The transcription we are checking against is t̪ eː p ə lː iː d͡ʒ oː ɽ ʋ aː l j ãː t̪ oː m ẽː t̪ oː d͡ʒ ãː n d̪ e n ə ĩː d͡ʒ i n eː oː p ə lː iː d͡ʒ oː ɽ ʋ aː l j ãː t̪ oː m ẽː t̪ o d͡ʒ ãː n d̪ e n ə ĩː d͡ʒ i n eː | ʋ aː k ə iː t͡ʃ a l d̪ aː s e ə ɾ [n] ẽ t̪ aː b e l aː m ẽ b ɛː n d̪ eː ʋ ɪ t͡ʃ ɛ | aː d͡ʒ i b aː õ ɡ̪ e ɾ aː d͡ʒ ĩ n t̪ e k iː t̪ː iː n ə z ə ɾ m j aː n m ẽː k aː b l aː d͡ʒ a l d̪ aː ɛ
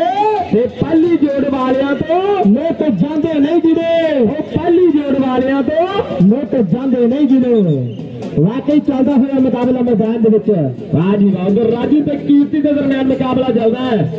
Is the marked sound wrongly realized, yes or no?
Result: yes